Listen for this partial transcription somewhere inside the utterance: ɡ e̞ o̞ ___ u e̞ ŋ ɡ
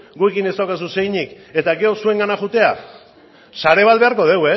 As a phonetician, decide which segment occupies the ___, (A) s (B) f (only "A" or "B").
A